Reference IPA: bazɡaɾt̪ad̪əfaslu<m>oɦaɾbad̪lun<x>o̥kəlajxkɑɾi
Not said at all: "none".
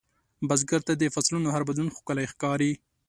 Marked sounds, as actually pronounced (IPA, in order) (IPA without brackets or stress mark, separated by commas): n, x